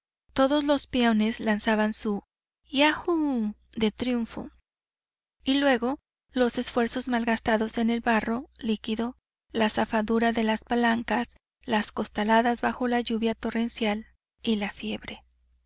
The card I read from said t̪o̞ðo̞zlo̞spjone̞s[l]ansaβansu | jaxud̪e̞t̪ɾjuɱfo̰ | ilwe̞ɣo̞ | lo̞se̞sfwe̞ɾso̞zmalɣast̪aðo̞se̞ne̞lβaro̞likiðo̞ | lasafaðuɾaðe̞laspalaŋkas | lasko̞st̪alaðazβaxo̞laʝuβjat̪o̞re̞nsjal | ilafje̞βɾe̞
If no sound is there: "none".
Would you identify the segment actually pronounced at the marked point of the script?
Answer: l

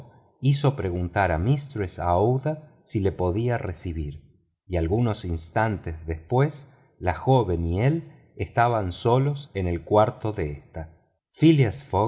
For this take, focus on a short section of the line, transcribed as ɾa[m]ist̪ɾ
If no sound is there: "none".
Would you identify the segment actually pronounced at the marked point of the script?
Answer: m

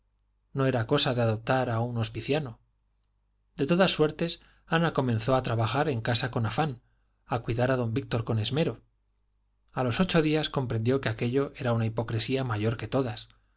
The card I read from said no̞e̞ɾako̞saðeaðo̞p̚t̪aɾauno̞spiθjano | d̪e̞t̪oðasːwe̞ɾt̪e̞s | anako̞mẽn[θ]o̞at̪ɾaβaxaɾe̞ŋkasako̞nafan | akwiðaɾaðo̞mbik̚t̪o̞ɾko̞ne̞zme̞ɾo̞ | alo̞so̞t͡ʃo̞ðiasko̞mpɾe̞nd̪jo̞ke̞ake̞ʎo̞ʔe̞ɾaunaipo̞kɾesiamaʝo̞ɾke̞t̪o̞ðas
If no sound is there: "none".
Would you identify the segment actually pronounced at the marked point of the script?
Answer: θ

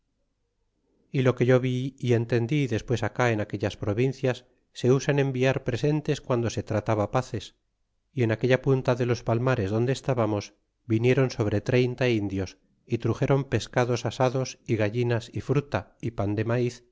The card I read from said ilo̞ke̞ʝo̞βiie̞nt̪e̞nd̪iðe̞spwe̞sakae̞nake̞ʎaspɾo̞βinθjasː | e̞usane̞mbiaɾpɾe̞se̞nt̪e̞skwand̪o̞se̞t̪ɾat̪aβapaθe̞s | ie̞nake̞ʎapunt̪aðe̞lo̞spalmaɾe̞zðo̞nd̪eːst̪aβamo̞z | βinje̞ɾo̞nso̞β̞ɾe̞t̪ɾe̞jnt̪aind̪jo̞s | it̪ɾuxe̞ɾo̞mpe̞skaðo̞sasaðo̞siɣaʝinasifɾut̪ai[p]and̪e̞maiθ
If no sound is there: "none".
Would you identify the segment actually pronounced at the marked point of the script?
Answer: p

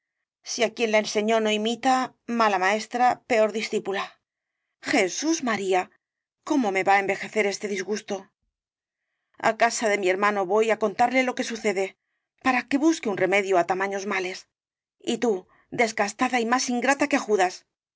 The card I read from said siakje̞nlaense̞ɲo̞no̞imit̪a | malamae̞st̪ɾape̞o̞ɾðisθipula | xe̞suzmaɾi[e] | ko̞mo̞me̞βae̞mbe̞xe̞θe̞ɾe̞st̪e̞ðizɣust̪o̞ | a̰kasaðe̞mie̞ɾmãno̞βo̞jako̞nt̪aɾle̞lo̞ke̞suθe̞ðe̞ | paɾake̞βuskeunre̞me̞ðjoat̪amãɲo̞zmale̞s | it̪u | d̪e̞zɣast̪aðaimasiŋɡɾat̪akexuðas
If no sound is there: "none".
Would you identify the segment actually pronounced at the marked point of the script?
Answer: a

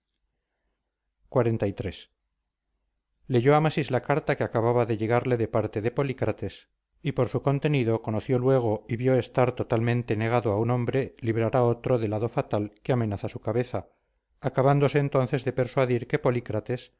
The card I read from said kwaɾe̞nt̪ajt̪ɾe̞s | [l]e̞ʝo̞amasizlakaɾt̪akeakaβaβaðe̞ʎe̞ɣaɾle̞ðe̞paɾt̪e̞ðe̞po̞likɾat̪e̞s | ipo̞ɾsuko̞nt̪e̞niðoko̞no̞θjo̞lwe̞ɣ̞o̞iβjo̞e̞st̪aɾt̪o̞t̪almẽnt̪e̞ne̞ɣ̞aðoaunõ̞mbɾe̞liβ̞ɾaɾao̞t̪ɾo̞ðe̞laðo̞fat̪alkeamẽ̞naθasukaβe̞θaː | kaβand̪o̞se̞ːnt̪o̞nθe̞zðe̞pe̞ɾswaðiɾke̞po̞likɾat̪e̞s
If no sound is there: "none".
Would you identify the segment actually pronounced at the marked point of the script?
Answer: l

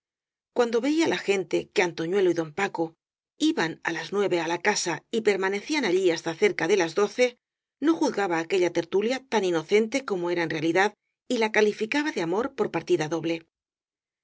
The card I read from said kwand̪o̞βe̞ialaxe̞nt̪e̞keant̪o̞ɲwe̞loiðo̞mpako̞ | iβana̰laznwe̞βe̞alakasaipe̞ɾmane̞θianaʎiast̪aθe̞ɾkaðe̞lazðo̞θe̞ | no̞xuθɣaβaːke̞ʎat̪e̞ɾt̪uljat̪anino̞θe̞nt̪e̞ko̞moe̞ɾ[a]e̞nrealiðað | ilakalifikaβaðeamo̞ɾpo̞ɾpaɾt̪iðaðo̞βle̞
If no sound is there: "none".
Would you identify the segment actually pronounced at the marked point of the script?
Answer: a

